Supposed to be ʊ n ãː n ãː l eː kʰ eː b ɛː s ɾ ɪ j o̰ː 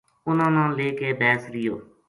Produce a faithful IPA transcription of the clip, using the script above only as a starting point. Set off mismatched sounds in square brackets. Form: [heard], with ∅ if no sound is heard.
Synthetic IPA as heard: ʊ n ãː n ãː l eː [k] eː b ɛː s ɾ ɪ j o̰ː

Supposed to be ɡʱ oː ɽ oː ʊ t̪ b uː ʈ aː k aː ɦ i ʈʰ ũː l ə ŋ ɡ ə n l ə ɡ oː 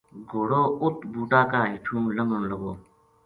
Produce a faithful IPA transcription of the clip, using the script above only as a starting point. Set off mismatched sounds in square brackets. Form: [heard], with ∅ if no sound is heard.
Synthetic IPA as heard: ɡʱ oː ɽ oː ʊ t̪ b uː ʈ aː k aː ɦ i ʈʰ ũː l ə ŋ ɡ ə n l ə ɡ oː

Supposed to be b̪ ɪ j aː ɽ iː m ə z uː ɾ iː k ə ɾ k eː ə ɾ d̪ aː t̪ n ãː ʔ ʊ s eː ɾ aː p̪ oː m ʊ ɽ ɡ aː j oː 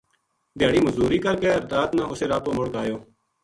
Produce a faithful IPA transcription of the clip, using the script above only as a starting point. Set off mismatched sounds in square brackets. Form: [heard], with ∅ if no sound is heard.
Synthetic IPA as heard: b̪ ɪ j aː ɽ iː m ə z uː ɾ iː k ə ɾ k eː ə ɾ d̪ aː t̪ n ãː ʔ ʊ s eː ɾ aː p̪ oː m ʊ ɽ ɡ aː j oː

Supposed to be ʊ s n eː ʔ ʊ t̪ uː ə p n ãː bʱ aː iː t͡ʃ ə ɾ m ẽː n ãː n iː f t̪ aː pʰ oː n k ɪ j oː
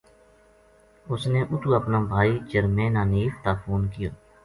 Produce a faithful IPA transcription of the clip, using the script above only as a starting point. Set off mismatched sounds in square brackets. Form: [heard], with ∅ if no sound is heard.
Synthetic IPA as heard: ʊ s n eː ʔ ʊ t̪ uː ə p n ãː bʱ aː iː t͡ʃ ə ɾ m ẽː n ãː n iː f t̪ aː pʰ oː n k ɪ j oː

